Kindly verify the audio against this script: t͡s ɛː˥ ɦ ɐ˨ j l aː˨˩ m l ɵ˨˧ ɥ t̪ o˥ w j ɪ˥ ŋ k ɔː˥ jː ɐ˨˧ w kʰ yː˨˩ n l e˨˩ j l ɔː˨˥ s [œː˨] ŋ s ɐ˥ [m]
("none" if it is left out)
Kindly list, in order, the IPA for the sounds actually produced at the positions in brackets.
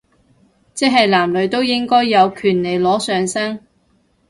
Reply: œː˨, ŋ

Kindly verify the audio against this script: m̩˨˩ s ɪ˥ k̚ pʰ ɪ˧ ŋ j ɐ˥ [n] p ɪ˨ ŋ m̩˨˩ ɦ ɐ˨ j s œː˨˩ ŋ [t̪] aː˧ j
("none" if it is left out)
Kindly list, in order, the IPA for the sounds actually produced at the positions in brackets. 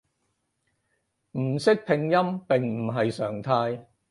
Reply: m, t̪ʰ

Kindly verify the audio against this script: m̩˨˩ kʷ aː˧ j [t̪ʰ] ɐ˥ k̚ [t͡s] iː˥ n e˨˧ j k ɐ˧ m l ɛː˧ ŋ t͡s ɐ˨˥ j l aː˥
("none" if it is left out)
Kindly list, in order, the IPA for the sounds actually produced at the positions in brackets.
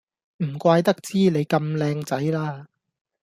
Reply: t̪, t͡s

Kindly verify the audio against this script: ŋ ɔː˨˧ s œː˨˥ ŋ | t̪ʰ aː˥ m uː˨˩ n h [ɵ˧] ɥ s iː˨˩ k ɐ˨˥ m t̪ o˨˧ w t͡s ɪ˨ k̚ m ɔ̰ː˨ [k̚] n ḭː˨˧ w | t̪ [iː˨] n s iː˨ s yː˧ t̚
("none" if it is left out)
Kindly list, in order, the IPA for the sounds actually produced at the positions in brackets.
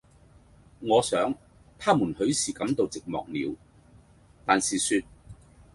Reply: ɵ˨˥, k̚, aː˨

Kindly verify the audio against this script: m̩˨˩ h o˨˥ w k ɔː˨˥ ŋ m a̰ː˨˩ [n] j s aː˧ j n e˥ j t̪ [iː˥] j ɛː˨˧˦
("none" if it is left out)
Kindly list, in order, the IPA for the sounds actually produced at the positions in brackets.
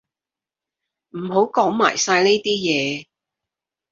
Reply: none, iː˥

